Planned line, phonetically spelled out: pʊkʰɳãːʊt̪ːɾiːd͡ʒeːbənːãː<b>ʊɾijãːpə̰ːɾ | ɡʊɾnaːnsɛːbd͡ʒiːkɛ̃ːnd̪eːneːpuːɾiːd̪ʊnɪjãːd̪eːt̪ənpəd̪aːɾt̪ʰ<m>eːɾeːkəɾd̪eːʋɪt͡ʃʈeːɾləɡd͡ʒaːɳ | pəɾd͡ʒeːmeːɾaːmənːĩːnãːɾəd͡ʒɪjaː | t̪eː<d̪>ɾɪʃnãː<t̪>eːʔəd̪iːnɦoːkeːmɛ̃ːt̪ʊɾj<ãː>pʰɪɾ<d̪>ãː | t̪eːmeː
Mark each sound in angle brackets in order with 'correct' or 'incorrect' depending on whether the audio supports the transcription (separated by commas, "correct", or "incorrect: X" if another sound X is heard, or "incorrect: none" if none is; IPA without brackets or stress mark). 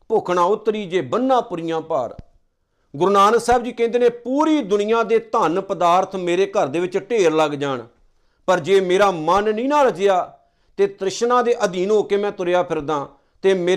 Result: incorrect: p, correct, incorrect: t̪, incorrect: d̪, incorrect: aː, correct